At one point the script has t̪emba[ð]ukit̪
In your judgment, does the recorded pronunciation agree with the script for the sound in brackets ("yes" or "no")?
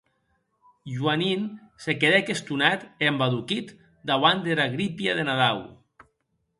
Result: yes